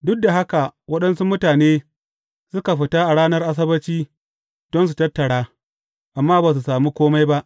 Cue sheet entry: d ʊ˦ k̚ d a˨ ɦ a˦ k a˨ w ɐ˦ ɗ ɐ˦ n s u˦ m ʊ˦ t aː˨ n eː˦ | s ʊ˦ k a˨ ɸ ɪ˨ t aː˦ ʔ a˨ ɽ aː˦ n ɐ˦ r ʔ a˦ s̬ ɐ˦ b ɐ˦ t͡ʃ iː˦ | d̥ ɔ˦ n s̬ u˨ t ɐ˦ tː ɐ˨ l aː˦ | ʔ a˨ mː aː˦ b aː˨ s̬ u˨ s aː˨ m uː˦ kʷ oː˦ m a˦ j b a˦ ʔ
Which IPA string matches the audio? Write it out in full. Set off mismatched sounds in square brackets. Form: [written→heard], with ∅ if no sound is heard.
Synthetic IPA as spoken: d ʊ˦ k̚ d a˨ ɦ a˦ k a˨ w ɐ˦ ɗ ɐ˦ n s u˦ m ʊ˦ t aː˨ n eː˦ | s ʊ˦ k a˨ ɸ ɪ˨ t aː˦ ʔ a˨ ɽ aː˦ n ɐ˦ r ʔ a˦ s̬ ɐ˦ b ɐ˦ t͡ʃ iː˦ | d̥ ɔ˦ n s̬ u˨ t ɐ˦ tː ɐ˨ [l→ɽ] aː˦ | ʔ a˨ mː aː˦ b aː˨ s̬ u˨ s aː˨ m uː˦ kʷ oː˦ m a˦ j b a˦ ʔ